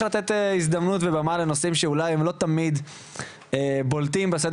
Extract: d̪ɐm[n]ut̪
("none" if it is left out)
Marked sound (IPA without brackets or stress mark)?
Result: n